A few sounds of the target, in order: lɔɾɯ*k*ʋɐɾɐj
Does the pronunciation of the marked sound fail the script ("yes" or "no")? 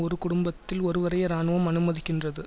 yes